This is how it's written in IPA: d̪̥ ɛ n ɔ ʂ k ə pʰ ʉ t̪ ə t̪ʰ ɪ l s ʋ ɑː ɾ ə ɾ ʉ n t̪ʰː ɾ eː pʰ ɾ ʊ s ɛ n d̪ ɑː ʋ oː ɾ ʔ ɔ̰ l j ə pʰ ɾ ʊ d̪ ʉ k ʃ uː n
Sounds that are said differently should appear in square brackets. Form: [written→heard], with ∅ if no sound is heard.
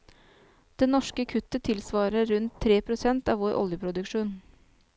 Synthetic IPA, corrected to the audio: d̪̥ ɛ n ɔ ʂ k ə [pʰ→kʰ] ʉ t̪ ə t̪ʰ ɪ l s ʋ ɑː ɾ ə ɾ ʉ n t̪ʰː ɾ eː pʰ ɾ ʊ s ɛ n [d̪→t̪] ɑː ʋ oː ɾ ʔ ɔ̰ l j ə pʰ ɾ ʊ d̪ ʉ k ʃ uː n